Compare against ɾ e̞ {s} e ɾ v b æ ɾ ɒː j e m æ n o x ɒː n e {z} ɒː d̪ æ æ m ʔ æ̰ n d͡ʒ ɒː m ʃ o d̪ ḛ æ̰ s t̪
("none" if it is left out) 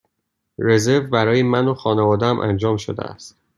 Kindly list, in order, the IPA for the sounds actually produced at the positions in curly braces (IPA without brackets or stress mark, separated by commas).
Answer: z, v